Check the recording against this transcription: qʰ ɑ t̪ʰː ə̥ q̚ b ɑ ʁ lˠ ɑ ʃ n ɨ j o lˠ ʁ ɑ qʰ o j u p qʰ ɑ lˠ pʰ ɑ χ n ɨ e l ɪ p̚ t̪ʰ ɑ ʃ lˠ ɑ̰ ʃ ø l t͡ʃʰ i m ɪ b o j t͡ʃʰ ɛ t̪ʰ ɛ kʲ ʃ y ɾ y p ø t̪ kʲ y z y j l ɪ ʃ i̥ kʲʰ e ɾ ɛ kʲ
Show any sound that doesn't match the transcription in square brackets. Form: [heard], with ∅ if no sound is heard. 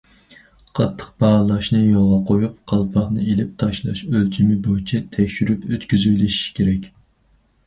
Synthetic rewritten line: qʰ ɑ t̪ʰː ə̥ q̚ b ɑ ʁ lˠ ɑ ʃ n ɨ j o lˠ ʁ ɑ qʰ o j u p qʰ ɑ lˠ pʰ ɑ χ n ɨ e l ɪ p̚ t̪ʰ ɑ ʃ lˠ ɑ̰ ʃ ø l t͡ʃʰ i m ɪ b o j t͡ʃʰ ɛ t̪ʰ ɛ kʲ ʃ y ɾ y p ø t̪ kʲ y z y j l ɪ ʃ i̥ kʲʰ e ɾ ɛ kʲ